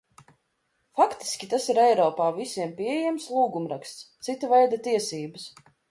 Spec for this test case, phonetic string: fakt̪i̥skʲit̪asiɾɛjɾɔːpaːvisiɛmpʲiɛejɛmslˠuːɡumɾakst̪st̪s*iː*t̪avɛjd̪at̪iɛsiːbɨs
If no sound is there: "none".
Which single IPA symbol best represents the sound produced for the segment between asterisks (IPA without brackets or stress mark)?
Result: i